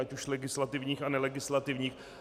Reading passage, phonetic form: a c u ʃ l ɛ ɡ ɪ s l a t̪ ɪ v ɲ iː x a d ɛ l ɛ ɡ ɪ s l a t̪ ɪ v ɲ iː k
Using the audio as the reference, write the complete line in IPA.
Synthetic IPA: a c u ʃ l ɛ ɡ ɪ s l a t̪ ɪ v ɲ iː x a n ɛ l ɛ ɡ ɪ s l a t̪ ɪ v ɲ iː x